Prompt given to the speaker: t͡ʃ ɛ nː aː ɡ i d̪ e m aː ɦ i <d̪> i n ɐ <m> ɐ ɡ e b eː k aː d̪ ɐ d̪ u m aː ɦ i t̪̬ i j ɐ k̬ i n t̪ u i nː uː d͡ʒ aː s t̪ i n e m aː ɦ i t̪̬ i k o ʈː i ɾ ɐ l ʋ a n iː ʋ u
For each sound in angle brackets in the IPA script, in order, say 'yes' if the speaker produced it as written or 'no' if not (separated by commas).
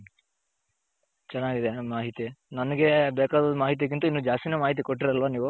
no, no